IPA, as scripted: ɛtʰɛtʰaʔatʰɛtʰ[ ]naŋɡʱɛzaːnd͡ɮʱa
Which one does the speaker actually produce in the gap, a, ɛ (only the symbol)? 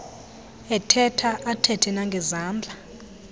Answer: ɛ